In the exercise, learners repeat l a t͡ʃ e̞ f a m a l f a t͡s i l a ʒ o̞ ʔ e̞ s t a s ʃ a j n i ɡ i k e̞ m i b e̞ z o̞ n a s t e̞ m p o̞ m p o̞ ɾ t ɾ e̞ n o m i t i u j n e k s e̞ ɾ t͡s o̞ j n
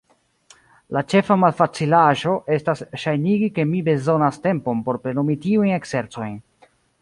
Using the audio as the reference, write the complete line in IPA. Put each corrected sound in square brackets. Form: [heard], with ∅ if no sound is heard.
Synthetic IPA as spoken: l a t͡ʃ e̞ f a m a l f a t͡s i l a ʒ o̞ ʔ e̞ s t a s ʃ a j n i ɡ i k e̞ m i b e̞ z o̞ n a s t e̞ m p o̞ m p o̞ ɾ [p] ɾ e̞ n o m i t i u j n e k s e̞ ɾ t͡s o̞ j n